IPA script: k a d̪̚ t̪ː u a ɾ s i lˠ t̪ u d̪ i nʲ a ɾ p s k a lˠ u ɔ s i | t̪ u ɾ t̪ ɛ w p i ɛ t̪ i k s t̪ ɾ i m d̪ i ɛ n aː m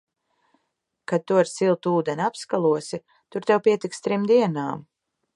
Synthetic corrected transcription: k a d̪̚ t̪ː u a ɾ s i lˠ t̪ uː d̪ ɛ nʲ a p s k a lˠ u ɔ s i | t̪ u ɾ t̪ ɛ w p i ɛ t̪ i k s t̪ ɾ i m d̪ i ɛ n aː m